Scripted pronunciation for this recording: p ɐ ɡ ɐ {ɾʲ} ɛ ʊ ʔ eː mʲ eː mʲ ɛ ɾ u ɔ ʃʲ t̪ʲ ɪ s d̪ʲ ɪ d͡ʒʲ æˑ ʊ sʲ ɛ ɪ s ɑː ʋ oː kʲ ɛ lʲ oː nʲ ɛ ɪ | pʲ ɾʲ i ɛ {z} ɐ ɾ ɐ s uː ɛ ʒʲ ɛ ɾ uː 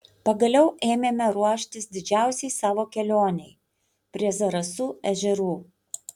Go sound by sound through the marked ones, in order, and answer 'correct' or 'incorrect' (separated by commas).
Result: incorrect, correct